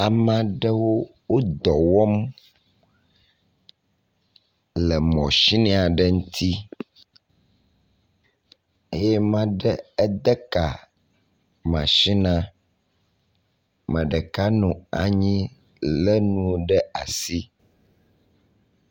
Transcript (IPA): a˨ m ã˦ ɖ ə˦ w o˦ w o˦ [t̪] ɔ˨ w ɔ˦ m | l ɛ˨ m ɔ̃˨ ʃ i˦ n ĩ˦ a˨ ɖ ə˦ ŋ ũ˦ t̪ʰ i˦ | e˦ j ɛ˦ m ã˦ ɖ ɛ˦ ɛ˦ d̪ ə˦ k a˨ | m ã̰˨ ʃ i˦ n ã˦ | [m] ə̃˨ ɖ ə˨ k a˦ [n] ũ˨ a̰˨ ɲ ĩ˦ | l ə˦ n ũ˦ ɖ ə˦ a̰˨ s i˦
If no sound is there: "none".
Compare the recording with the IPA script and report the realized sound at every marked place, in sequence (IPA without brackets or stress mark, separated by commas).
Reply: d̪, m, n